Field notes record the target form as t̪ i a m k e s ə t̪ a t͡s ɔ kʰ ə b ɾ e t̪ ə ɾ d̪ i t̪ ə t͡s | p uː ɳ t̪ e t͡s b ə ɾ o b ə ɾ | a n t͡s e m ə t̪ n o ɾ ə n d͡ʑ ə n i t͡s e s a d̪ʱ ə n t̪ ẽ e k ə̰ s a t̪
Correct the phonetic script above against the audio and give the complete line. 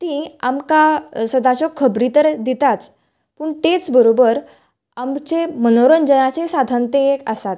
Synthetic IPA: t̪ i a m k a s ə d̪ a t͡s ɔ kʰ ə b ɾ i t̪ ə ɾ d̪ i t̪ a t͡s | p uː ɳ t̪ e t͡s b ə ɾ o b ə ɾ | a m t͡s e m ə n o ɾ ə n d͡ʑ ə n a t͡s e s a d̪ʱ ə n t̪ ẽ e k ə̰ s a t̪

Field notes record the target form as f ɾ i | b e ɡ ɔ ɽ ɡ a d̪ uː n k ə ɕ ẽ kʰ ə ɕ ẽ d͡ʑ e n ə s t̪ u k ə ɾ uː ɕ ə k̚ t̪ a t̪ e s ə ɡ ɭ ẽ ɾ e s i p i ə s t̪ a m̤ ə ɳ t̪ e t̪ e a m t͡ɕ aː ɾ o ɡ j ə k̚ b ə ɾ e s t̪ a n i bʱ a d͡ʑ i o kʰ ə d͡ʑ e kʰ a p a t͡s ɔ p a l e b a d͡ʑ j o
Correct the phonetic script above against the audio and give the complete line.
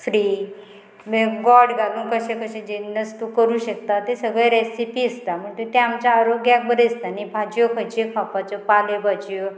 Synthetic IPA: f ɾ i | m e ɡ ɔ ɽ ɡ a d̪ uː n k ə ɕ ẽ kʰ ə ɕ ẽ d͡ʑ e n ə s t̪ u k ə ɾ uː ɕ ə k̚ t̪ a t̪ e s ə ɡ ɭ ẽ ɾ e s i p i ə s t̪ a m̤ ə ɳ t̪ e t̪ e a m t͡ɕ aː ɾ o ɡ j a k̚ b ə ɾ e s t̪ a n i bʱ a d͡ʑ j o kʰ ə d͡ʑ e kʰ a p a t͡s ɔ p a l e b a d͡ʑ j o

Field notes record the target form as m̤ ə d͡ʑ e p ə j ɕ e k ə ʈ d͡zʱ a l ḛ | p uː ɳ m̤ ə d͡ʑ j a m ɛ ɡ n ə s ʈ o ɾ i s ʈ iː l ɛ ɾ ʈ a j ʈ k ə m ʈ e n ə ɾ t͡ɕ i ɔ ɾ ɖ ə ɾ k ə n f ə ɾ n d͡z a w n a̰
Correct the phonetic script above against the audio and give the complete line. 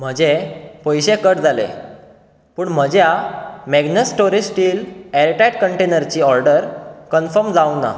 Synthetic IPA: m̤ ə d͡ʑ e p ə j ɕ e k ə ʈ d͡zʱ a l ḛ | p uː ɳ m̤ ə d͡ʑ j a m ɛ ɡ n ə s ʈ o ɾ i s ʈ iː l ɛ ɾ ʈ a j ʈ k ə ɳ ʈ e n ə ɾ t͡ɕ i ɔ ɾ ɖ ə ɾ k ə n f ə ɾ m d͡z a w n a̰

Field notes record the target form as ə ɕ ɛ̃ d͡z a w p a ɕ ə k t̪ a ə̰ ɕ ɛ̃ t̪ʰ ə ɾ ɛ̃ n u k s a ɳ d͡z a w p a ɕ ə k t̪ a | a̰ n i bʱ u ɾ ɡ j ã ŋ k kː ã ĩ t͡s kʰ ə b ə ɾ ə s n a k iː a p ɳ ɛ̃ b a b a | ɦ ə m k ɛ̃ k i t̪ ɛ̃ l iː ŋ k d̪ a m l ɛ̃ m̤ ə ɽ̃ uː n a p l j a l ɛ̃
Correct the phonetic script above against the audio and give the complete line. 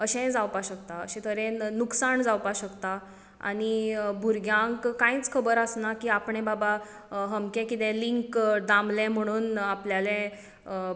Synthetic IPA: ə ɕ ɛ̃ d͡z a w p a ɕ ə k t̪ a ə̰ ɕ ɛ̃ t̪ʰ ə ɾ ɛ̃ n u k s a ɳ d͡z a w p a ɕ ə k t̪ a | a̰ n i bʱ u ɾ ɡ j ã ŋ k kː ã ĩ t͡s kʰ ə b ə ɾ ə s n a k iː a p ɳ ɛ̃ b a b a | ɦ ə m k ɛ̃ k i t̪ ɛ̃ l i ŋ k d̪ a m l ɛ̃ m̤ ə ɽ̃ uː n a p l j a l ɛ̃

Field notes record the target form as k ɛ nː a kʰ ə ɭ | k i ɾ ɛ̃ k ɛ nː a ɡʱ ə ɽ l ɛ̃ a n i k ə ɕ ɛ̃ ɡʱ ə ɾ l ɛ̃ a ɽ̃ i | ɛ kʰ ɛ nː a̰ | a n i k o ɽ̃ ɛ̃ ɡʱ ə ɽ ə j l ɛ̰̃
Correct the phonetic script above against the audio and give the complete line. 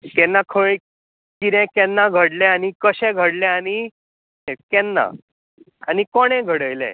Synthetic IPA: k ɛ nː a kʰ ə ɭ | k i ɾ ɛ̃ k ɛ nː a ɡʱ ə ɽ l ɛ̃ a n i k ə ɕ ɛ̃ ɡʱ ə ɽ l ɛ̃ a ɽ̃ i | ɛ k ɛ nː a̰ | a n i k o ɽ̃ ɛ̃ ɡʱ ə ɽ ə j l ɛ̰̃

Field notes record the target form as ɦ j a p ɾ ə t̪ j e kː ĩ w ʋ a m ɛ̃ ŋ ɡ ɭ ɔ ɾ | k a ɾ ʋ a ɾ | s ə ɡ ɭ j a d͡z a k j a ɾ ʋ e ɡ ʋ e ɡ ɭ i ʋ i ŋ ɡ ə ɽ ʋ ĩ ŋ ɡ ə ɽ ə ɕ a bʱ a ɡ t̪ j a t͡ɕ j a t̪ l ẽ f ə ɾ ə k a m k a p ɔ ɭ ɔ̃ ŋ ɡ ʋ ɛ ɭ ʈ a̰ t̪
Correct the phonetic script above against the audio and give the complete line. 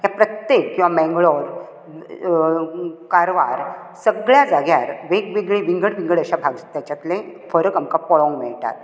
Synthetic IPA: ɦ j a p ɾ ə t̪ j e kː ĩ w ʋ a m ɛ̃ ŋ ɡ ɭ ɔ ɾ | k a ɾ ʋ a ɾ | s ə ɡ ɭ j a d͡z a ɡ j a ɾ ʋ e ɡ ʋ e ɡ ɭ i ʋ i ŋ ɡ ə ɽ ʋ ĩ ŋ ɡ ə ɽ ə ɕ a bʱ a ɡ t̪ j a t͡ɕ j a t̪ l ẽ f ə ɾ ə k a m k a p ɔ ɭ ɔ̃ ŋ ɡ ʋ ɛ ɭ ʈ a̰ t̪

